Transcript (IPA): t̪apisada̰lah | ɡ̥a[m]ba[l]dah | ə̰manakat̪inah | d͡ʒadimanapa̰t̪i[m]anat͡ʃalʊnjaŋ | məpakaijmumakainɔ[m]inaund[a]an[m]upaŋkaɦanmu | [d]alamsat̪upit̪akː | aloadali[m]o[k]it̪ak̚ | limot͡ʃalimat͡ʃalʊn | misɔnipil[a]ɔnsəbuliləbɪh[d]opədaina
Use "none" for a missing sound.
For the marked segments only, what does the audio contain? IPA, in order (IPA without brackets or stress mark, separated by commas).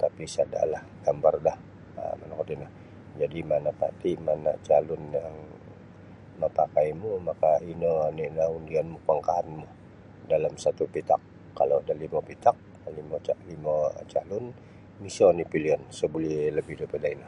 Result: m, r, m, n, i, m, d, m, p, i, d